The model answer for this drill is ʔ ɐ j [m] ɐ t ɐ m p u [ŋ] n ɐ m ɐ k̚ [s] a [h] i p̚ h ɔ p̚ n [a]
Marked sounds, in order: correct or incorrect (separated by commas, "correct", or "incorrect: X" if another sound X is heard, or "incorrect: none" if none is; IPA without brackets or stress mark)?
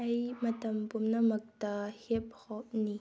correct, incorrect: m, incorrect: t, correct, incorrect: i